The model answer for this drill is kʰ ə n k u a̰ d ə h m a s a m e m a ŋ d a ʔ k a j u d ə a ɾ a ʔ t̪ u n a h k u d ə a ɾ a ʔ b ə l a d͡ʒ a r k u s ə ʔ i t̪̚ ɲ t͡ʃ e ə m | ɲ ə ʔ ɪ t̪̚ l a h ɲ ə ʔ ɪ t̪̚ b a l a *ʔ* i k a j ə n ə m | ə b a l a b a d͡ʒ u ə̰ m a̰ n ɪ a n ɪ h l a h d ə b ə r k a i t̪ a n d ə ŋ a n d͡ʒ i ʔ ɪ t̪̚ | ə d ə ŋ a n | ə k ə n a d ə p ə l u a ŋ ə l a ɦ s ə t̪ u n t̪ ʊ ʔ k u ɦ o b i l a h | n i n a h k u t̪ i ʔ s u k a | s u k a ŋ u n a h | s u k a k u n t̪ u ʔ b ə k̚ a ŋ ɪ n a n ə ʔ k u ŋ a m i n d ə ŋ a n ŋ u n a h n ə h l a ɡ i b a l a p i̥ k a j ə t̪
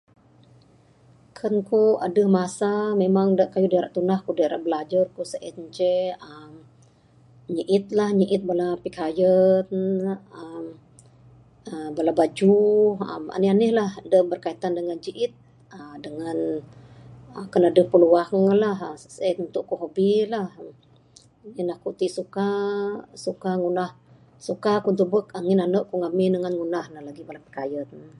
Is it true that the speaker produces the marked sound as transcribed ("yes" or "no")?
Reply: no